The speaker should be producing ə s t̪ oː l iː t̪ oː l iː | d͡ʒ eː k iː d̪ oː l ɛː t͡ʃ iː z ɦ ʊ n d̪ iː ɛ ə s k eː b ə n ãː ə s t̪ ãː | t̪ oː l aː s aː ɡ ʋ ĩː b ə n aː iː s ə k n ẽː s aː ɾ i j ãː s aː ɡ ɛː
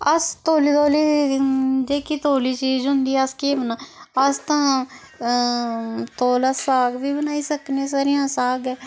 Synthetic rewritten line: ə s t̪ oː l iː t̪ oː l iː | d͡ʒ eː k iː t̪ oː l iː t͡ʃ iː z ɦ ʊ n d̪ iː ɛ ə s k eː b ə n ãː ə s t̪ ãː | t̪ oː l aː s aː ɡ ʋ iː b ə n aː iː s ə k n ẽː s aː ɾ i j ãː s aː ɡ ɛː